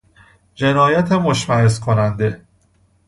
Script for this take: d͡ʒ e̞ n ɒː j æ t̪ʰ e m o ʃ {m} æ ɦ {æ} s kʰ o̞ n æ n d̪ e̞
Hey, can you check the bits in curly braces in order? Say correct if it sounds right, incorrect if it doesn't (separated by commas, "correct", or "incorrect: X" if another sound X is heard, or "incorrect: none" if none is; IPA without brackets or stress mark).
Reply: correct, incorrect: e